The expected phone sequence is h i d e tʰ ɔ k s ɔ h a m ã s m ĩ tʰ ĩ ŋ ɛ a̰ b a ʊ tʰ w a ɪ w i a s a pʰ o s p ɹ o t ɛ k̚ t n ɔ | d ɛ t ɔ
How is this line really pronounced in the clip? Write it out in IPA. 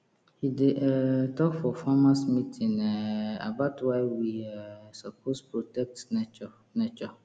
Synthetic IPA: h i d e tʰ ɔ k f ɔ f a m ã s m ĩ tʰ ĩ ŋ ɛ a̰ b a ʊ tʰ w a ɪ w i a s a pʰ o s p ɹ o t ɛ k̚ t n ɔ | n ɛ t͡ʃ ɔ